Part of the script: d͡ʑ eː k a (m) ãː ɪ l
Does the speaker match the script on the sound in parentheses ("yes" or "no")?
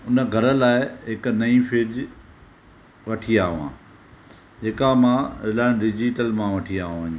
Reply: yes